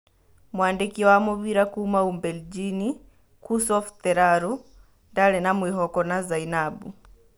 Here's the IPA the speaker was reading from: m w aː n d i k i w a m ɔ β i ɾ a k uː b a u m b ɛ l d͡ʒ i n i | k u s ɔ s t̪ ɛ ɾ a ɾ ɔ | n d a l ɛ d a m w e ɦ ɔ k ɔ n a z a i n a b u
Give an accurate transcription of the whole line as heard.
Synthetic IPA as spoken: m w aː n d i k i w a m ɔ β i ɾ a k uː m a u m b ɛ l d͡ʒ i n i | k u s ɔ f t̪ ɛ ɾ a ɾ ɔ | n d a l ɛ n a m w i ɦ ɔ k ɔ n a z a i n a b u